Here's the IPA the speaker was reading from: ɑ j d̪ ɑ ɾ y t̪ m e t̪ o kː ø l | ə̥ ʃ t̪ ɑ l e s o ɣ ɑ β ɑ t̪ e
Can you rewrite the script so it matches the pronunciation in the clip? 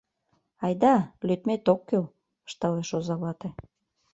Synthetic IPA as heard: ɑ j d̪ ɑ l y t̪ m e t̪ o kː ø l | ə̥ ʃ t̪ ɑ l e ʃ o z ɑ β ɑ t̪ e